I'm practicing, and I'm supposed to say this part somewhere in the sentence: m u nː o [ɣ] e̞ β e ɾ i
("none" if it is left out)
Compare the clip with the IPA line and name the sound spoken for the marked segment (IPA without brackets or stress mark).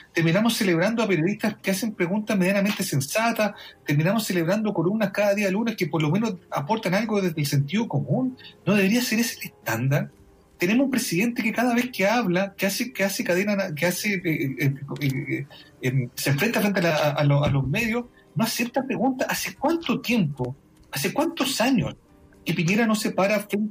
ð